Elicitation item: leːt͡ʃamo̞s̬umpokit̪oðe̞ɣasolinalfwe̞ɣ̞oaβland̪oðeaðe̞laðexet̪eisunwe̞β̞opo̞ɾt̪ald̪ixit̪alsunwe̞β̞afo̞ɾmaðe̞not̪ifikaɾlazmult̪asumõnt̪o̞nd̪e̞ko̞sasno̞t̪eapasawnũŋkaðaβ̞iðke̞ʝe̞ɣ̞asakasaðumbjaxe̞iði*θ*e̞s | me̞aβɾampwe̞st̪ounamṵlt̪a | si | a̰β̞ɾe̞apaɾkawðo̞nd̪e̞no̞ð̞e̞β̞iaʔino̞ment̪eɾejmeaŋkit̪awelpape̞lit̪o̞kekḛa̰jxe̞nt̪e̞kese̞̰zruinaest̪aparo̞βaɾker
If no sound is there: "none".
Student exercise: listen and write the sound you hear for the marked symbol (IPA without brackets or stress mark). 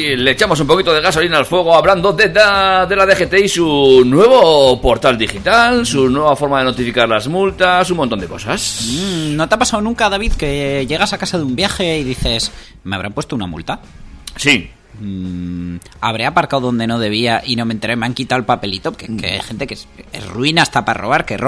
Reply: θ